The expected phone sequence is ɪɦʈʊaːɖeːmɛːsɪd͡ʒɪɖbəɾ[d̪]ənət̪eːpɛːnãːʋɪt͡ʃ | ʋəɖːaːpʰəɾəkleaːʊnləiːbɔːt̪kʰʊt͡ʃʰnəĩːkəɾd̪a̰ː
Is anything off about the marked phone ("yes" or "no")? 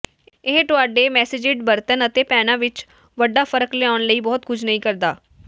yes